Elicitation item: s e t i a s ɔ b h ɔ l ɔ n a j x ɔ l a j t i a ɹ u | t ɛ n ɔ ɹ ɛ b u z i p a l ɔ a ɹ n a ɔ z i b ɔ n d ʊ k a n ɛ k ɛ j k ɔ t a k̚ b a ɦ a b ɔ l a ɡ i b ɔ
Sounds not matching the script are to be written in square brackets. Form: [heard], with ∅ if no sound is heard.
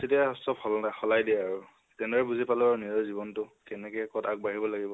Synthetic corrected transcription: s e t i a s ɔ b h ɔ l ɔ n a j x ɔ l a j [d] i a ɹ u | t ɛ n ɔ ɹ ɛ b u z i p a l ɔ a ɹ n [i] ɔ z i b ɔ n [t] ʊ k [ɛ] n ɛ k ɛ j k ɔ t a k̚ b a ɦ [i] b ɔ l a ɡ i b ɔ